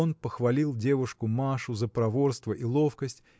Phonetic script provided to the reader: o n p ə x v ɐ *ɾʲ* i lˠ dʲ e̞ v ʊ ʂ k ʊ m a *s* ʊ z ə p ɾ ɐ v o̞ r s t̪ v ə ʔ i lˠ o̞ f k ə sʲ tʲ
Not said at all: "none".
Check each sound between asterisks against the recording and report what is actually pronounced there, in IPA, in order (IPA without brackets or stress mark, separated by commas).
lʲ, ʂ